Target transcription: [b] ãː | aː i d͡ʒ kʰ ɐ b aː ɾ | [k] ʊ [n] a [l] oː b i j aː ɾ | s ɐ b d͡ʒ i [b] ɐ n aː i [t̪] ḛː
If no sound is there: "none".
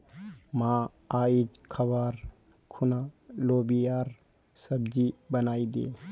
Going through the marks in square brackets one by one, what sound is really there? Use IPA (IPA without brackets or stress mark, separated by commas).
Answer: m, kʰ, n, l, b, d̪